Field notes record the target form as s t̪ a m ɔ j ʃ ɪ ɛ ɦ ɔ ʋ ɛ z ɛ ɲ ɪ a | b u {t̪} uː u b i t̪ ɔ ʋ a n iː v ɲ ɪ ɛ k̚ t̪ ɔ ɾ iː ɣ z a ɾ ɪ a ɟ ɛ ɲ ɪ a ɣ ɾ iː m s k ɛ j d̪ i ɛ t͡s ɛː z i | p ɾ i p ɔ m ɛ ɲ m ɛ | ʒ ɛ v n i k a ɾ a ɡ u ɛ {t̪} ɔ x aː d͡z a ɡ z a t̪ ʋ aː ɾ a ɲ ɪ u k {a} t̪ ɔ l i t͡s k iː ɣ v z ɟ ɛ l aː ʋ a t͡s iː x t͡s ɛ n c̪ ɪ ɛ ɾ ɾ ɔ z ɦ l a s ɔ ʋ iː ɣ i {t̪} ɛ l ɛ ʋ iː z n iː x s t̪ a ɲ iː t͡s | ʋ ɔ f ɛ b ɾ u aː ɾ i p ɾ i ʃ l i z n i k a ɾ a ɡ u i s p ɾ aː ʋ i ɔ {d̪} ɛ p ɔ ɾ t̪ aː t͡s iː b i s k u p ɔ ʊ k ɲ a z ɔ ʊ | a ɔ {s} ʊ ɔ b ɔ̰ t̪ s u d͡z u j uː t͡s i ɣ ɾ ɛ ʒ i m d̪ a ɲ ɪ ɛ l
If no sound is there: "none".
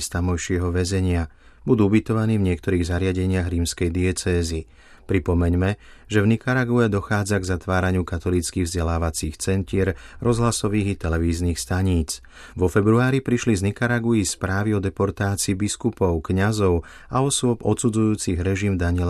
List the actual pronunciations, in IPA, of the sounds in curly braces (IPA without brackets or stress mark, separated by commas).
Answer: d̪, d̪, a, t̪, d̪, s